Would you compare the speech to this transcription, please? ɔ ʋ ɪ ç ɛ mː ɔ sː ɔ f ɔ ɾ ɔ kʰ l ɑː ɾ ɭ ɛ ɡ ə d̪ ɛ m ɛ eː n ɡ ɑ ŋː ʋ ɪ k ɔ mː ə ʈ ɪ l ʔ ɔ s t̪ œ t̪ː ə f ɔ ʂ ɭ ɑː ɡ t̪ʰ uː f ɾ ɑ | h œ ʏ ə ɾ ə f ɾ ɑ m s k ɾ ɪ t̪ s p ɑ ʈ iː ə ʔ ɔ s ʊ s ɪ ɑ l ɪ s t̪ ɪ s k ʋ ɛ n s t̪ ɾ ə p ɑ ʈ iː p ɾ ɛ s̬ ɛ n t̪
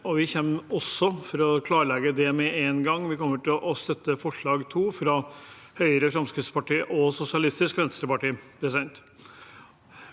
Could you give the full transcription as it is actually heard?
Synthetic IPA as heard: ɔ ʋ ɪ ç ɛ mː ɔ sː ɔ f ɔ ɾ ɔ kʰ l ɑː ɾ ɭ ɛ ɡ ə d̪ ɛ m ɛ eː n ɡ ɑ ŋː ʋ ɪ k ɔ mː ə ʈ ɪ l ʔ ɔ s t̪ œ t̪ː ə f ɔ ʂ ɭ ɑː ɡ t̪ʰ uː f ɾ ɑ | h œ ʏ ə ɾ ə f ɾ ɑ m s k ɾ ɪ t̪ s p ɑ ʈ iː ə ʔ ɔ s ʊ s ɪ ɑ l ɪ s t̪ ɪ s k ʋ ɛ n s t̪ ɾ ə p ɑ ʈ iː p ɾ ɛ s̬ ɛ n t̪